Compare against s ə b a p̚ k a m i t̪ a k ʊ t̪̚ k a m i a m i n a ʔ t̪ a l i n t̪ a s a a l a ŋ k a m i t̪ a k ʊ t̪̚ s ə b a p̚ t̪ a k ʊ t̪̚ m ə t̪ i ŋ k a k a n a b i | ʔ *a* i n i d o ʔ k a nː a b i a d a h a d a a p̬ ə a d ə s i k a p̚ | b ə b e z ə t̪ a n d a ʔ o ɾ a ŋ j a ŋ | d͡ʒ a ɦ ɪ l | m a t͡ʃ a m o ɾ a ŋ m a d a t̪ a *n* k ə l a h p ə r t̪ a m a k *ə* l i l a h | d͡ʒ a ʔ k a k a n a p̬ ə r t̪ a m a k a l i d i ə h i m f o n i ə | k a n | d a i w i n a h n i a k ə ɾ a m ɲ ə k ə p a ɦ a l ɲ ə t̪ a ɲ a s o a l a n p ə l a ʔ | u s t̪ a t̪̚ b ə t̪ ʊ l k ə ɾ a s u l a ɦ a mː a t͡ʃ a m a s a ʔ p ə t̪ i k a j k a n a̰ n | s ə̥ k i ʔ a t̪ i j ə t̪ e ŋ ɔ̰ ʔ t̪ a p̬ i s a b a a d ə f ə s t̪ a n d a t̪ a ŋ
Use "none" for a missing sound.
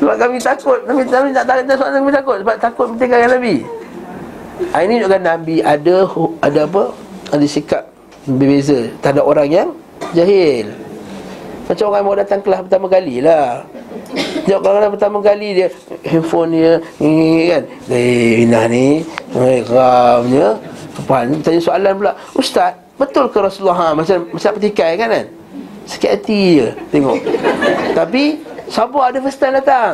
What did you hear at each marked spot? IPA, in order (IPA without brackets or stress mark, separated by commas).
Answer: a, ŋ, a